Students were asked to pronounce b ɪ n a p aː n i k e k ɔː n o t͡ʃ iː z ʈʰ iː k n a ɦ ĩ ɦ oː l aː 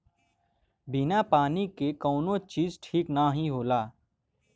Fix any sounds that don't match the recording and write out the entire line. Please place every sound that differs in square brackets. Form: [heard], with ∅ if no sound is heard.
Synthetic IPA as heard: b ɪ n a p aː n i k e k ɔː n o t͡ʃ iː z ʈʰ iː k n a ɦ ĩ ɦ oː l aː